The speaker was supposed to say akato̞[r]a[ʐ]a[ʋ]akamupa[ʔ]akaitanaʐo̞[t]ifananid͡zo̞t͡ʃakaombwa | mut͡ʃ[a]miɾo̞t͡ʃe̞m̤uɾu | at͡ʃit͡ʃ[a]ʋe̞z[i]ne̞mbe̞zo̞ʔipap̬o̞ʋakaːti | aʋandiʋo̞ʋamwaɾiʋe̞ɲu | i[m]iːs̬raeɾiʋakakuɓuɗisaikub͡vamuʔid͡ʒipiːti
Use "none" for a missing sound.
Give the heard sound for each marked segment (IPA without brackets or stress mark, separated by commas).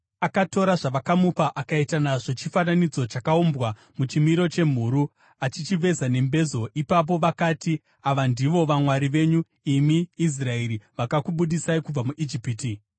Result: ɾ, ʐ, ʋ, ʔ, t͡ʃ, i, i, a, m